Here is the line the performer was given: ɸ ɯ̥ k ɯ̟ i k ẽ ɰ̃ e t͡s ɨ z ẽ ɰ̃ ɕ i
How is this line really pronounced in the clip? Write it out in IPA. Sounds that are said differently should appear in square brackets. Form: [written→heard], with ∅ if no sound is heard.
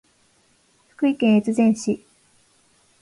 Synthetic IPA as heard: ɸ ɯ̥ k ɯ̟ i k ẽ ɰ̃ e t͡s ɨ z ẽ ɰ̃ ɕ i